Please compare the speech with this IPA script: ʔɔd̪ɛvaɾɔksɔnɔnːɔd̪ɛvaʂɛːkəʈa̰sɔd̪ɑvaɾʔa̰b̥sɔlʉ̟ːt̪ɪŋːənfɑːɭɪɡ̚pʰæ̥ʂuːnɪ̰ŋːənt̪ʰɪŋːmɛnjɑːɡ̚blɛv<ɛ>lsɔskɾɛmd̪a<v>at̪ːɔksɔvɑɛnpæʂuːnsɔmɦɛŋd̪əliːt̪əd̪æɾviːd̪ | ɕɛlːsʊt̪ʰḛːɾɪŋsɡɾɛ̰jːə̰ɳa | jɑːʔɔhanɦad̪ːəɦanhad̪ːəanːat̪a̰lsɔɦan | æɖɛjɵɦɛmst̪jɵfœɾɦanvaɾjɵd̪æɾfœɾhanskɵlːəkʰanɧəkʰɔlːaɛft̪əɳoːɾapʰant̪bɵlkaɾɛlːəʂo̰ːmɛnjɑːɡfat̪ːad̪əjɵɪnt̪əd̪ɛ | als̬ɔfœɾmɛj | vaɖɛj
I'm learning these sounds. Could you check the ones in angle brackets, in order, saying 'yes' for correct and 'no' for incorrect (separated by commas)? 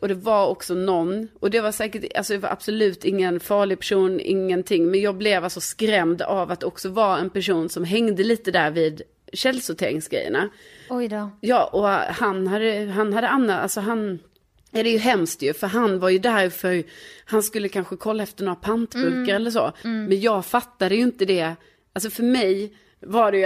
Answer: no, yes